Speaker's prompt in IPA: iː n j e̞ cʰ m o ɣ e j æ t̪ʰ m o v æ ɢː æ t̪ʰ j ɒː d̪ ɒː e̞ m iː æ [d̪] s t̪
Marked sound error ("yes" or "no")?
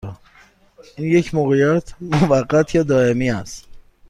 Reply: yes